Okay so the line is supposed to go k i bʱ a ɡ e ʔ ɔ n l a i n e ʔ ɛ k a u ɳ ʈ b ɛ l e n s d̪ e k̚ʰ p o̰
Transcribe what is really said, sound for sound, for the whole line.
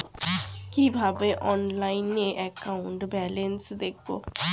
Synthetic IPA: k i bʱ a b e ʔ ɔ n l a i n e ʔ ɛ k a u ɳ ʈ b ɛ l e n s d̪ e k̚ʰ b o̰